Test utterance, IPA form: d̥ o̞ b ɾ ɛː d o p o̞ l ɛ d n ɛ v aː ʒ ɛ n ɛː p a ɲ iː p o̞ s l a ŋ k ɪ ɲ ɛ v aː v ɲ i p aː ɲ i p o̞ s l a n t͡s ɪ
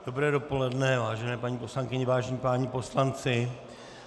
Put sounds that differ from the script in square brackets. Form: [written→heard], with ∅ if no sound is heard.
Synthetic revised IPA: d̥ o̞ b ɾ ɛː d o p o̞ l ɛ d n ɛ v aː ʒ ɛ n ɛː p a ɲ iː p o̞ s l a ŋ k ɪ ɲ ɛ v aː [v→ʒ] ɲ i p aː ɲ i p o̞ s l a n t͡s ɪ